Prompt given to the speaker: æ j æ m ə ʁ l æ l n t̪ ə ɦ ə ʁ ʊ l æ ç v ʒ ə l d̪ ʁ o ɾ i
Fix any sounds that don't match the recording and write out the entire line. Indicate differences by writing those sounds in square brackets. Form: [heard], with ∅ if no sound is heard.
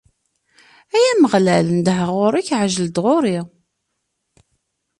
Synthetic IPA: æ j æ m ə ʁ l æ l n [d̪] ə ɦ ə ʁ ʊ [ɾ] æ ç [ʕ] ʒ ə l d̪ ʁ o ɾ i

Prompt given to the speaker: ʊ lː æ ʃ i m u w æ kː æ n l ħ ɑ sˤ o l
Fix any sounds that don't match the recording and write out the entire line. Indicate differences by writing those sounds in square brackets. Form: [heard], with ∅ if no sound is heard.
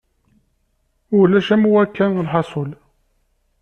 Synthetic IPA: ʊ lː æ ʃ [æ] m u w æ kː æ n l ħ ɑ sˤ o l

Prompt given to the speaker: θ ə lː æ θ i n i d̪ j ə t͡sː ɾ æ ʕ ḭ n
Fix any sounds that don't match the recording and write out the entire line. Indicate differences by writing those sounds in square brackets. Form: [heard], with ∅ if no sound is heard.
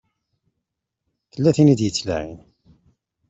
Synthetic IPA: θ ə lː æ θ i n i d̪ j ə t͡sː [l] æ ʕ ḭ n

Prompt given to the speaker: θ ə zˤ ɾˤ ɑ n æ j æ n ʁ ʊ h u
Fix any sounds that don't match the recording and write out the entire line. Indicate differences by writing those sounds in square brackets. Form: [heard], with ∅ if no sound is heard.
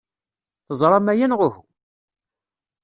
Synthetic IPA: θ ə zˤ ɾˤ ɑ [m] æ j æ n ʁ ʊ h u

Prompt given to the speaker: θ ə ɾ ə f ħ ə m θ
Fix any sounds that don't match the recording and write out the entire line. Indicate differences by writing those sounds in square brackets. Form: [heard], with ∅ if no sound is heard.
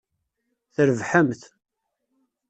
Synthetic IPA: θ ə ɾ ə [v] ħ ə m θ

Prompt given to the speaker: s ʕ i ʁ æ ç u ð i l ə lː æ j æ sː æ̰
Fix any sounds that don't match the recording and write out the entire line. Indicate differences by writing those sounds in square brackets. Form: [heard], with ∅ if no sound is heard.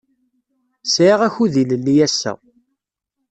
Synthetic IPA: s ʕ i ʁ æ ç u ð i l ə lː [i] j æ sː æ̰

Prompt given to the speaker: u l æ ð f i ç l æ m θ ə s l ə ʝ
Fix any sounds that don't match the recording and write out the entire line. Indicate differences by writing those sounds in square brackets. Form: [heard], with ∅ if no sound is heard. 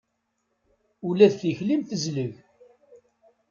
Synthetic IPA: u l æ ð [θ] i ç l [i] m θ ə [z] l ə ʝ

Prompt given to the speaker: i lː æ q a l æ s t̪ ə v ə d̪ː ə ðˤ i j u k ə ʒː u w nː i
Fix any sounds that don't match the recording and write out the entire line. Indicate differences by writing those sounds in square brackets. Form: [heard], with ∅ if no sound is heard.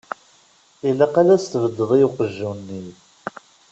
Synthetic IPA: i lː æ q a l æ s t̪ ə v ə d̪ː ə ðˤ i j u [q] ə ʒː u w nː i

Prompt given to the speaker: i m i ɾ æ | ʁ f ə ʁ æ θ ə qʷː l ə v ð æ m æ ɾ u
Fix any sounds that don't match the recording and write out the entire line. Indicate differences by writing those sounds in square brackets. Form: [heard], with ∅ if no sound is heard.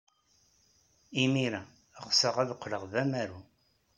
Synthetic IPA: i m i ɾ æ | ʁ [s] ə ʁ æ [ð] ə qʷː l ə [ʁ] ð æ m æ ɾ u

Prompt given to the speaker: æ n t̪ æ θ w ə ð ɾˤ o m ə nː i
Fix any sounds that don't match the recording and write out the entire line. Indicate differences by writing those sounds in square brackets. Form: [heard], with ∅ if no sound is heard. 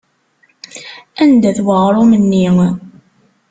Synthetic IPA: æ n [d̪] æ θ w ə [ʁ] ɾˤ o m ə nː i

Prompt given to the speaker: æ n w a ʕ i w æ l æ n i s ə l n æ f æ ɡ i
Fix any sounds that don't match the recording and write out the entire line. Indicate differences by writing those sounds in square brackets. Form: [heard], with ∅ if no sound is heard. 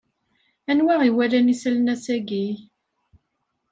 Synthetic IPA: æ n w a [ʁ] i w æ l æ n i s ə l n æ [s] æ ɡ i

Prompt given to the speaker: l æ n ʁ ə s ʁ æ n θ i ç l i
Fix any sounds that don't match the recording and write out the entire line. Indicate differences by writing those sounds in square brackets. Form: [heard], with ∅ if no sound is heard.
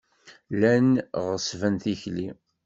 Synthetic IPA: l æ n ʁ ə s [v] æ n θ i ç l i

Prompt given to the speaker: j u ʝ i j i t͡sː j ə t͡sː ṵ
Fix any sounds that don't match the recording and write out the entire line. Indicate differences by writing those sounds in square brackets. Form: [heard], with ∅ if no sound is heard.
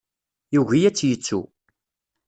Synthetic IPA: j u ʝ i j [æ] t͡sː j ə t͡sː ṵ

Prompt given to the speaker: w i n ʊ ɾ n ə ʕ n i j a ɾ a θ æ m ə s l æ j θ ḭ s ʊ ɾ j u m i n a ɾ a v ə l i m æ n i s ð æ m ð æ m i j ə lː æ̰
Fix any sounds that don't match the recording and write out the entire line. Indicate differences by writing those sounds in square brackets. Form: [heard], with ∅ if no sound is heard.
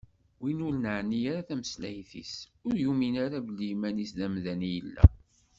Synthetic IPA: w i n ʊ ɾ n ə ʕ n i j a ɾ a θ æ m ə s l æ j θ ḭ s ʊ ɾ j u m i n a ɾ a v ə l i m æ n i s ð æ m ð æ [n] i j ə lː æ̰

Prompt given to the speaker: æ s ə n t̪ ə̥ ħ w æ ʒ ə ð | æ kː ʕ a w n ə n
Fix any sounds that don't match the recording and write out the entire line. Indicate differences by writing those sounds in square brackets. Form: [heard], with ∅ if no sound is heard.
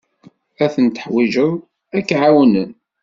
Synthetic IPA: æ [θ] ə n t̪ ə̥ ħ w [i] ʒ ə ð | æ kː ʕ a w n ə n

